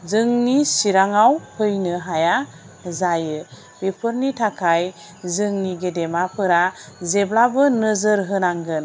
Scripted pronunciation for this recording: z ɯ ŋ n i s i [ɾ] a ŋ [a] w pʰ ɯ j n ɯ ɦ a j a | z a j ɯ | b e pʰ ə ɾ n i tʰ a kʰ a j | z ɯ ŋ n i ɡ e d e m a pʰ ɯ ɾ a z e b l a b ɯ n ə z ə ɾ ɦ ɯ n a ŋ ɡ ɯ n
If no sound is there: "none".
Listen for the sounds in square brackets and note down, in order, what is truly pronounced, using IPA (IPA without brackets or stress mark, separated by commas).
ɾ, a